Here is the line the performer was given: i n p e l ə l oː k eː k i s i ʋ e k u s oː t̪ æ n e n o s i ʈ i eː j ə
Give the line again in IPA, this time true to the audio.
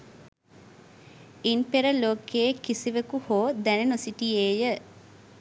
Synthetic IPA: i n p e ɾ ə l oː k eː k i s i ʋ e k u h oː d̪ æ n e n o s i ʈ i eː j ə